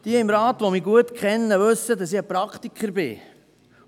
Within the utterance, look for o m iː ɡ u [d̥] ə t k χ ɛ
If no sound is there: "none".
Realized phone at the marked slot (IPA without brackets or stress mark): none